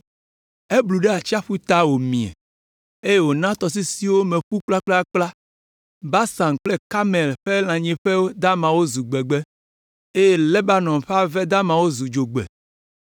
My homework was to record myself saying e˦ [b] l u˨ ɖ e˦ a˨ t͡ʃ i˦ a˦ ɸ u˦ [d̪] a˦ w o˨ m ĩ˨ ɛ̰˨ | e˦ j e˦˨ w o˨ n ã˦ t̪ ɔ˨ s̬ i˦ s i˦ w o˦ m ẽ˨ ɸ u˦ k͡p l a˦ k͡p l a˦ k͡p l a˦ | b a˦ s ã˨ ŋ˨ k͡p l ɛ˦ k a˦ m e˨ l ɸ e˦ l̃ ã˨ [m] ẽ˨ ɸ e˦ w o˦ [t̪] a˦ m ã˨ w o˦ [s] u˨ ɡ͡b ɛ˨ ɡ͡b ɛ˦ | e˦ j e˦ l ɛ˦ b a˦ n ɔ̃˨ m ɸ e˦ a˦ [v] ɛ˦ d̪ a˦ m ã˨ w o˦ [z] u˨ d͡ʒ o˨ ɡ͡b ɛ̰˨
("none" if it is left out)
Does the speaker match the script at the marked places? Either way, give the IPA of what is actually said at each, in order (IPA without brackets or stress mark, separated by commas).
b, t̪, ɲ, d̪, z, v, z